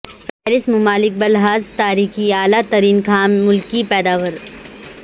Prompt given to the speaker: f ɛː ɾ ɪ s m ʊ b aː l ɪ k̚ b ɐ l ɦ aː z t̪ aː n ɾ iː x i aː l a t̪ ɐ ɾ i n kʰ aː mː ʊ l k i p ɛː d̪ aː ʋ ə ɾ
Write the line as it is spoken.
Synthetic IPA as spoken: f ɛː ɾ ɪ s m ʊ m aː l ɪ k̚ b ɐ l ɦ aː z t̪ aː ɾ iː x i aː l a t̪ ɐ ɾ iː n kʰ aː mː ʊ l k i p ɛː d̪ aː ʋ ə ɾ